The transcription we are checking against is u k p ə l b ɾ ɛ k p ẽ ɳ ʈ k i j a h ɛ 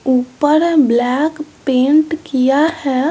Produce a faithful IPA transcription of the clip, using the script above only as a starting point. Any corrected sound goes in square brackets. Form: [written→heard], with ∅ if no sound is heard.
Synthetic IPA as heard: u [k→∅] p ə [l→ɾ] b [ɾ→l] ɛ k p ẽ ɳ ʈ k i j a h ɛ

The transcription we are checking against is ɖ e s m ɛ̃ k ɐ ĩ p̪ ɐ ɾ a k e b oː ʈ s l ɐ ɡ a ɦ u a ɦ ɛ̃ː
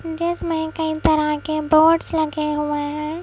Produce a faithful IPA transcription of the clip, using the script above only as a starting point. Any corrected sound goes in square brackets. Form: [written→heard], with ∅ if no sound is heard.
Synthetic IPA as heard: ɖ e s m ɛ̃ k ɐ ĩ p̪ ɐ ɾ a k e b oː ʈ s l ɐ ɡ [a→e] ɦ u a ɦ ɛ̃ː

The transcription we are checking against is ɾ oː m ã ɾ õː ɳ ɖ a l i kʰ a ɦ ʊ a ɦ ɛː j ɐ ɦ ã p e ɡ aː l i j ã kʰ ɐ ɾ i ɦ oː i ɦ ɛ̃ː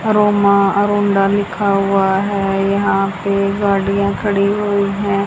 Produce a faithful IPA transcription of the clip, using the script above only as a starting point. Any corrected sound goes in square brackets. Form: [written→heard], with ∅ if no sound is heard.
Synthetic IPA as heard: ɾ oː m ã ɾ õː ɳ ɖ a l [i→ɪ] kʰ a ɦ ʊ a ɦ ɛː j ɐ ɦ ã p e ɡ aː [l→ɽ] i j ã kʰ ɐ [ɾ→ɽ] i ɦ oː i ɦ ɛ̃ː

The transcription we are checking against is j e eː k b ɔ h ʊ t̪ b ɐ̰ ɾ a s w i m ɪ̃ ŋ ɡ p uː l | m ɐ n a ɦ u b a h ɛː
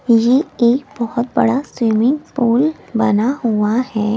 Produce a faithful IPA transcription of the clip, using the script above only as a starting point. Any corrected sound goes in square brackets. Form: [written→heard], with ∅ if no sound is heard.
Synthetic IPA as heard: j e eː k b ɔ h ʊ t̪ b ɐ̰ [ɾ→ɽ] a s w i m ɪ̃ ŋ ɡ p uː l | [m→b] ɐ n a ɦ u [b→∅] a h ɛː

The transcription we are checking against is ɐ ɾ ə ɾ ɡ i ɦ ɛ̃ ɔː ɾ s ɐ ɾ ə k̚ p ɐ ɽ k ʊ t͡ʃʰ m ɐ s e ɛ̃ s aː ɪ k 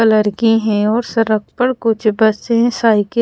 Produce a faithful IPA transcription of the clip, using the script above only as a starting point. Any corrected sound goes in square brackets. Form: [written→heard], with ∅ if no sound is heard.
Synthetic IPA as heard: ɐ [ɾ→l] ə ɾ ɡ i ɦ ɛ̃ ɔː ɾ s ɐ ɾ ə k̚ p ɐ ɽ k ʊ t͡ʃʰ [m→b] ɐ s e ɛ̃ s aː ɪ k

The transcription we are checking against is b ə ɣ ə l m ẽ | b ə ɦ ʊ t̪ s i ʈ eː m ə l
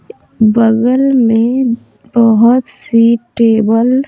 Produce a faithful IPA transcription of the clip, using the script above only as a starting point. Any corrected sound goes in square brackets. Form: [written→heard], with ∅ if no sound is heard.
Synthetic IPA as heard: b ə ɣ ə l m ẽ | b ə ɦ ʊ t̪ s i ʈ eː [m→b] ə l

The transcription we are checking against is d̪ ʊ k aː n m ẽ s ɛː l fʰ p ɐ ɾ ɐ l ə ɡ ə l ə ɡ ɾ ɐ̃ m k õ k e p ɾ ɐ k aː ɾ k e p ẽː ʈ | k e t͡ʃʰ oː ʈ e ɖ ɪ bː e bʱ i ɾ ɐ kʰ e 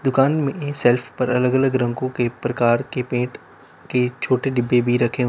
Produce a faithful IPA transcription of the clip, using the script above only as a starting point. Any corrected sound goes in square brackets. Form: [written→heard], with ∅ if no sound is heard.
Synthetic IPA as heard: d̪ ʊ k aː n m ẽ s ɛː l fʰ p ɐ ɾ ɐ l ə ɡ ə l ə ɡ ɾ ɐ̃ [m→ŋ] k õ k e p ɾ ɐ k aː ɾ k e p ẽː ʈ | k e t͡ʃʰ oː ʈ e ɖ ɪ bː e bʱ i ɾ ɐ kʰ e

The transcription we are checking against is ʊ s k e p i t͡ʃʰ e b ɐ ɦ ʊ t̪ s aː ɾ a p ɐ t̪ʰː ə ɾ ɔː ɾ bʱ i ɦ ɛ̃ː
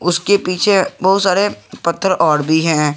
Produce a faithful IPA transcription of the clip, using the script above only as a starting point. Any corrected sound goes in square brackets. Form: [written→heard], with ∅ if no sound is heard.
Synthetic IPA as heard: ʊ s k e p [i→iː] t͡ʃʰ e b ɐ ɦ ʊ t̪ s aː ɾ [a→e] p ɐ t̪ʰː ə ɾ ɔː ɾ bʱ i ɦ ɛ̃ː

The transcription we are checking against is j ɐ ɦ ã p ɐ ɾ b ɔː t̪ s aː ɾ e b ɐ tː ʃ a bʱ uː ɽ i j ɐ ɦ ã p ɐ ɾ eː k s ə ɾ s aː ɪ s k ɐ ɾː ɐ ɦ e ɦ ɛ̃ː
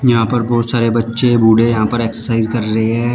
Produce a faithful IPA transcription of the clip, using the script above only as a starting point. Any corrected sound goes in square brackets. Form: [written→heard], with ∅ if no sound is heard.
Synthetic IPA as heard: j ɐ ɦ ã p ɐ ɾ b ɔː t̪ s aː ɾ e b ɐ tː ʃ [a→e] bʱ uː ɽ [i→e] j ɐ ɦ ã p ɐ ɾ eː k s ə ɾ s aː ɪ [s→z] k ɐ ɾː ɐ ɦ e ɦ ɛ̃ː

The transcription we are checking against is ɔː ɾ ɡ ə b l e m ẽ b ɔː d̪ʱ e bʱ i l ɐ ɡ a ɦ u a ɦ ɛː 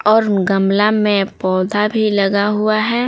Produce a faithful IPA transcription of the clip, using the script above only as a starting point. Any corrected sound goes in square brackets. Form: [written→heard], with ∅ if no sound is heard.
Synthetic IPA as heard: ɔː ɾ ɡ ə [b→m] l [e→a] m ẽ [b→p] ɔː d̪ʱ [e→a] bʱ i l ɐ ɡ a ɦ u a ɦ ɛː

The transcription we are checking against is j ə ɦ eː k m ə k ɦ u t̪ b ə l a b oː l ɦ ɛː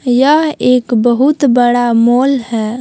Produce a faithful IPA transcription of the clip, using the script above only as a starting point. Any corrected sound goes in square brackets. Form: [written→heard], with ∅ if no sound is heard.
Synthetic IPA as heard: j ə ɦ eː k [m→b] ə [k→∅] ɦ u t̪ b ə [l→ɽ] a [b→m] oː l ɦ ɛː

